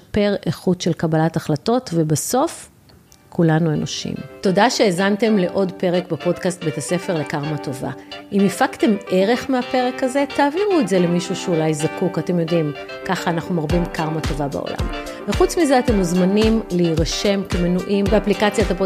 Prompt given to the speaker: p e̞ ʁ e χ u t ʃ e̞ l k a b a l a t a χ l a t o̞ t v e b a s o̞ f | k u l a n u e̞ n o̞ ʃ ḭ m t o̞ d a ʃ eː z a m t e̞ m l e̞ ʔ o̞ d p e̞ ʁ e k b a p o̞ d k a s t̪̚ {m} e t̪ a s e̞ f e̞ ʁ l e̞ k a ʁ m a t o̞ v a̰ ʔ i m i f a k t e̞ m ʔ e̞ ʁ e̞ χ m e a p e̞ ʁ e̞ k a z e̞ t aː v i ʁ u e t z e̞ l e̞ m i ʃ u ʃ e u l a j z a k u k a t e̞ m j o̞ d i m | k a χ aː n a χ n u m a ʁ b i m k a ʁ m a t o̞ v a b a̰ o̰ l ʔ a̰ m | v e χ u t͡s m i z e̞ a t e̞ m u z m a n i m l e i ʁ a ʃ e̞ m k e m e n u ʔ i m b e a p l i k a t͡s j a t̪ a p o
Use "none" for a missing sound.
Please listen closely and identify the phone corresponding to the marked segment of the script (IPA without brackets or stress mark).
b